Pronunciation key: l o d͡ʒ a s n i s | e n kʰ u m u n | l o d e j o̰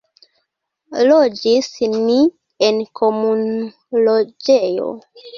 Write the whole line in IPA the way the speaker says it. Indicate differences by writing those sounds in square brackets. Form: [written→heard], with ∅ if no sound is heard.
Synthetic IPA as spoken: l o d͡ʒ [a→i] s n i [s→∅] | e n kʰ [u→o] m u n | l o [d→d͡ʒ] e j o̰